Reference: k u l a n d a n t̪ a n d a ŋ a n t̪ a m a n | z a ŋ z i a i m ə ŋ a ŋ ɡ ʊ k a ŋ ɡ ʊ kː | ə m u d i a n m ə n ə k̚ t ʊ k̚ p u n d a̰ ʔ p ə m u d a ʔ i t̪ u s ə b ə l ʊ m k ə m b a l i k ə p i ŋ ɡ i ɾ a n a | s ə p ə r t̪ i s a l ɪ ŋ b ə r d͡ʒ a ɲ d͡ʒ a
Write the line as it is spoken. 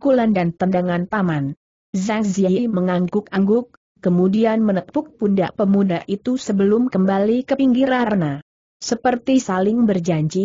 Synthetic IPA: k u l a n d a n t̪ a n d a ŋ a n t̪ a m a n | z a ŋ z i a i m ə ŋ a ŋ ɡ ʊ k a ŋ ɡ ʊ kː | ə m u d i a n m ə n ə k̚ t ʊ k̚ p u n d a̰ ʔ p ə m u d a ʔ i t̪ u s ə b ə l ʊ m k ə m b a l i k ə p i ŋ ɡ i ɾ a n a | s ə p ə r t̪ i s a l ɪ ŋ b ə r d͡ʒ a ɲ d͡ʒ i